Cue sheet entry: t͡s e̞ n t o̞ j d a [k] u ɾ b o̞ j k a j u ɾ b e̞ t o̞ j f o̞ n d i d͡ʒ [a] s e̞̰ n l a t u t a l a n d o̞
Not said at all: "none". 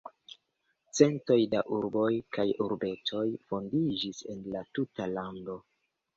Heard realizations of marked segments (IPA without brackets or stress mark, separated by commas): ʔ, i